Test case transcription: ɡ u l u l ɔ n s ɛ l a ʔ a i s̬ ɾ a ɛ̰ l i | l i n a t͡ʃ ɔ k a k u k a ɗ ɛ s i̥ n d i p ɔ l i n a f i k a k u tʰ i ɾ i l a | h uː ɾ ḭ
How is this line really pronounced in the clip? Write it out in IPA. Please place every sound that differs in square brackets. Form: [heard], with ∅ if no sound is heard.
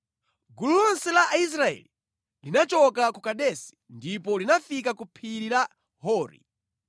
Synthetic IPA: ɡ u l u l ɔ n s ɛ l a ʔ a i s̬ ɾ a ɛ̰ l i | l i n a t͡ʃ ɔ k a k u k a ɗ ɛ s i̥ n d i p ɔ l i n a f i k a k u [pʰ] i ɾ i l a | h [ɔː] ɾ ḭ

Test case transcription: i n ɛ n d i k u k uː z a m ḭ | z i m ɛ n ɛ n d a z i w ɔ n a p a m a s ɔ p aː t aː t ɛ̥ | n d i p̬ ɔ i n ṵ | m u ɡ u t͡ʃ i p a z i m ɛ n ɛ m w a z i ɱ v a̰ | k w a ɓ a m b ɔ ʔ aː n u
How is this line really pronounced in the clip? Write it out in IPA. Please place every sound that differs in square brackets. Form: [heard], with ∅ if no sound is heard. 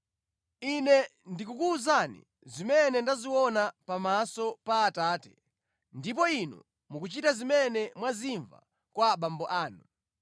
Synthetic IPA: i n ɛ n d i k u k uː z a [n] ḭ | z i m ɛ n ɛ n d a z i w ɔ n a p a m a s ɔ p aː t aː t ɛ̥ | n d i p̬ ɔ i n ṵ | m u [k] u t͡ʃ i [t] a z i m ɛ n ɛ m w a z i ɱ v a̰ | k w a ɓ a m b ɔ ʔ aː n u

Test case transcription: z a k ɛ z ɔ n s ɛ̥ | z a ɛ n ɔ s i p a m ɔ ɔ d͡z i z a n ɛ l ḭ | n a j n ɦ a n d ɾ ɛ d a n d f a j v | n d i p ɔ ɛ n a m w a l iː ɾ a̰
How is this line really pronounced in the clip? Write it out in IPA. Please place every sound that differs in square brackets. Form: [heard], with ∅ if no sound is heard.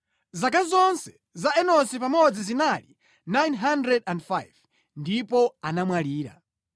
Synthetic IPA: z a k [a] z ɔ n s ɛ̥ | z a ɛ n ɔ s i p a m ɔ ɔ d͡z i z [i] n [a] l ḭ | n a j n ɦ a n d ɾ ɛ d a n d f a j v | n d i p ɔ [a] n a m w a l iː ɾ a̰

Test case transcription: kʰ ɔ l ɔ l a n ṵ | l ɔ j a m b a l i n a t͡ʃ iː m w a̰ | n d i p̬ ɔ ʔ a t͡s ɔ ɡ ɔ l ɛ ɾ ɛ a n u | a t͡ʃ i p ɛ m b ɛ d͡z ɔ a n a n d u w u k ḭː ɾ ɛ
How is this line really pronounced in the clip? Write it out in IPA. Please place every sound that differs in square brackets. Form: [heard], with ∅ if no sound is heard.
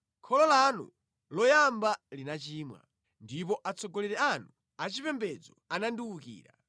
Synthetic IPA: kʰ ɔ l ɔ l a n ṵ | l ɔ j a m b a l i n a t͡ʃ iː m w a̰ | n d i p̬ ɔ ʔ a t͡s ɔ ɡ ɔ l ɛ ɾ ɛ a n u | a t͡ʃ i p ɛ m b ɛ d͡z ɔ a n a n d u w u k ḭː ɾ [a]

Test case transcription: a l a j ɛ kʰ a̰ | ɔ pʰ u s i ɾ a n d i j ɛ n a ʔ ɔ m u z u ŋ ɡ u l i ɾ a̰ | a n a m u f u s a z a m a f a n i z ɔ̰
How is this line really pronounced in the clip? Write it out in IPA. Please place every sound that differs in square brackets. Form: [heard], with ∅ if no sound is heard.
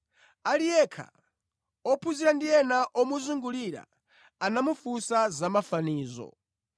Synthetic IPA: a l [i] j ɛ kʰ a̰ | ɔ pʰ u [z] i ɾ a n d i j ɛ n a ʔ ɔ m u z u ŋ ɡ u l i ɾ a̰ | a n a m u f u s a z a m a f a n [iː] z ɔ̰

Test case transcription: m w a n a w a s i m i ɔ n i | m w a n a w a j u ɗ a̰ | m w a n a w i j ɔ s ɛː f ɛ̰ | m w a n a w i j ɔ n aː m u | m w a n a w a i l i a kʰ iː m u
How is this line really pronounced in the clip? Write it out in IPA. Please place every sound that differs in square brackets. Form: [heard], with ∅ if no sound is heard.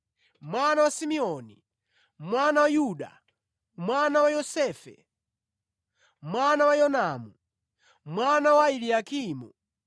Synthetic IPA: m w a n a w a s i m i ɔ n i | m w a n a w a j u ɗ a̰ | m w a n a w [a] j ɔ s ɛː f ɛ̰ | m w a n a w [a] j ɔ n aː m u | m w a n a w a i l i a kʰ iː m u

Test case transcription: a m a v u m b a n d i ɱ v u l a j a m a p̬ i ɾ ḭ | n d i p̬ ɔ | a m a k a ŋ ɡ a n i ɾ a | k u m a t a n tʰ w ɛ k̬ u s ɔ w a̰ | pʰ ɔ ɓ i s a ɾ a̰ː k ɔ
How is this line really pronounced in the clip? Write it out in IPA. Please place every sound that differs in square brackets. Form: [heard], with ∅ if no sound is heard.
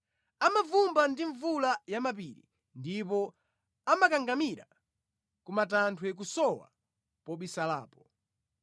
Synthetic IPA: a m a v u m b a n d i ɱ v u l a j a m a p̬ i ɾ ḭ | n d i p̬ ɔ | a m a k a ŋ ɡ a [m] i ɾ a | k u m a t a n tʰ w ɛ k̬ u s ɔ w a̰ | [p] ɔ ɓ i s a [l] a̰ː [p] ɔ

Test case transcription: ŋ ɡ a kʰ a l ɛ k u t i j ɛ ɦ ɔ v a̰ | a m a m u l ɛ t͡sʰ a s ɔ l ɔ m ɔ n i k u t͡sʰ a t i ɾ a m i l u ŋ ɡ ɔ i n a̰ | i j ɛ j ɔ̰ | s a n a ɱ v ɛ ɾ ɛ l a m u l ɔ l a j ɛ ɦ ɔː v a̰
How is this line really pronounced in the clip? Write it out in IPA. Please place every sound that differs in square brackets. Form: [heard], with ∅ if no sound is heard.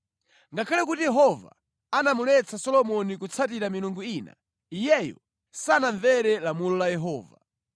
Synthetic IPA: ŋ ɡ a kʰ a l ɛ k u t i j ɛ ɦ ɔ v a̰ | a [n] a m u l ɛ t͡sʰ a s ɔ l ɔ m ɔ n i k u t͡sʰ a t i ɾ a m i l u ŋ ɡ [u] i n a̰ | i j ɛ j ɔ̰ | s a n a ɱ v ɛ ɾ ɛ l a m u l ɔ l a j ɛ ɦ ɔː v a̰

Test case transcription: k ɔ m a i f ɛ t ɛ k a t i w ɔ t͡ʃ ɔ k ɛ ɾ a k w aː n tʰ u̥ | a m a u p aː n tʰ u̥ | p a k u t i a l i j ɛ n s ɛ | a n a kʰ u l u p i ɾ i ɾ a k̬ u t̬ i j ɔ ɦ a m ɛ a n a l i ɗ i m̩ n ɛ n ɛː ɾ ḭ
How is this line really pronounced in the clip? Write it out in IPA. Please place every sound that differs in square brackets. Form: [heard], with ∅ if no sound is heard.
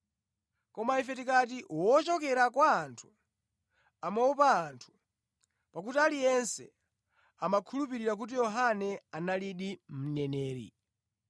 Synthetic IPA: k ɔ m a i f ɛ t [i] k a t i w ɔ t͡ʃ ɔ k ɛ ɾ a k w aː n tʰ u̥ | a m a u p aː n tʰ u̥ | p a k u t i a l i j ɛ n s ɛ | a [m] a kʰ u l u p i ɾ i ɾ a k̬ u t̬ i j ɔ ɦ a [n] ɛ a n a l i ɗ i m̩ n ɛ n ɛː ɾ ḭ

